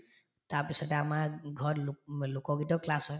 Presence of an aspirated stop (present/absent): absent